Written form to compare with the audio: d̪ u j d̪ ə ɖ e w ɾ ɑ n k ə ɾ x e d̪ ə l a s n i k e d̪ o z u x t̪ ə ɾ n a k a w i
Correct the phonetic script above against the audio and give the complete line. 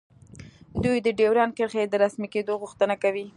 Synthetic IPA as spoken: d̪ u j d̪ ə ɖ e w ɾ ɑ n k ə ɾ x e d̪ ə ɾ a s m i k e d̪ o ɣ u x t̪ ə n a k a w i